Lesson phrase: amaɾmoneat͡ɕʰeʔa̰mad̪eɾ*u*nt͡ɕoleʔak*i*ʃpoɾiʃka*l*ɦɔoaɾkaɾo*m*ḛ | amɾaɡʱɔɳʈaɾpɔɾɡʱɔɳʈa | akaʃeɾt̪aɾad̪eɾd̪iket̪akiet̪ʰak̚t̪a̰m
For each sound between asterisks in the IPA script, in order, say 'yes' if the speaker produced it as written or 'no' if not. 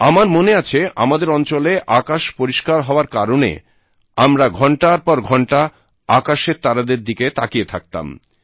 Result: no, no, no, no

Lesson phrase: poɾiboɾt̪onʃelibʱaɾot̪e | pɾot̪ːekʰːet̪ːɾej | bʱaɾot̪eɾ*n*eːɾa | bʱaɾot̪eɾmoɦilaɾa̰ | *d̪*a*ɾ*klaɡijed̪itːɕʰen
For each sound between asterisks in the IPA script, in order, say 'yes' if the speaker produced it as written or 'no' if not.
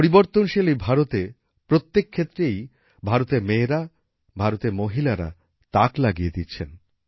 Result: no, no, no

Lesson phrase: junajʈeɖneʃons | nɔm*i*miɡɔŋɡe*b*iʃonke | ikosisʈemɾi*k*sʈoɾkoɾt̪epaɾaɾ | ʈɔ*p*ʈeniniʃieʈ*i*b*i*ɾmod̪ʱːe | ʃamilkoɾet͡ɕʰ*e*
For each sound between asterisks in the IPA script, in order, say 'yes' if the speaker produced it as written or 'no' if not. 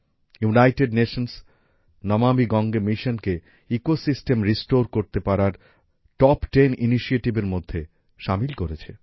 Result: no, no, no, yes, yes, no, yes

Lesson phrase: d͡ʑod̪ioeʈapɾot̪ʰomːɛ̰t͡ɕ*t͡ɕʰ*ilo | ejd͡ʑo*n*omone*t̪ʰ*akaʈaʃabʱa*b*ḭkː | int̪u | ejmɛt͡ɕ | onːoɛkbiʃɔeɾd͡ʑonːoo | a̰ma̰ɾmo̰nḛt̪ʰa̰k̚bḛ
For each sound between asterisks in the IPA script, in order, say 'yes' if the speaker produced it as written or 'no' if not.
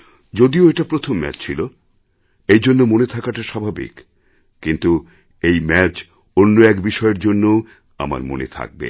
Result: yes, no, yes, yes

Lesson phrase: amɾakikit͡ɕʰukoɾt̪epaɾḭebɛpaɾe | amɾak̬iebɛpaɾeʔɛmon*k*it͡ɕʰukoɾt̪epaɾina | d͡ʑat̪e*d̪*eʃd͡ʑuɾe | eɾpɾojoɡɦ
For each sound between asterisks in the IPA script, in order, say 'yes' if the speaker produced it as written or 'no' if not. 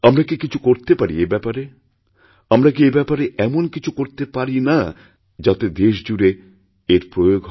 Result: yes, yes

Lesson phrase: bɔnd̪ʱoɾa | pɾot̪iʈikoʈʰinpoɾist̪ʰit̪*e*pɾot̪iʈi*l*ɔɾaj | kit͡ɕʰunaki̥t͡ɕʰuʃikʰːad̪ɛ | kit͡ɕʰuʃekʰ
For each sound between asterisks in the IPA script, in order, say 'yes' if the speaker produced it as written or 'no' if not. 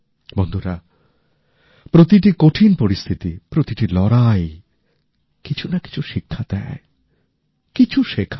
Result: no, yes

